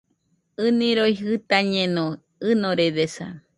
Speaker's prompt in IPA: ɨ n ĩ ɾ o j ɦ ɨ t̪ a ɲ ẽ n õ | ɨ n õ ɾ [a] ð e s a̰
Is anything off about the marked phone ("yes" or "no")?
yes